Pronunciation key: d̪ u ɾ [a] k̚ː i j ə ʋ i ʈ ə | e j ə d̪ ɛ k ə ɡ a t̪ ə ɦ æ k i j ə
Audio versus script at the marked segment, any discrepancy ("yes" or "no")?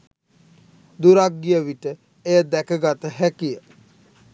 no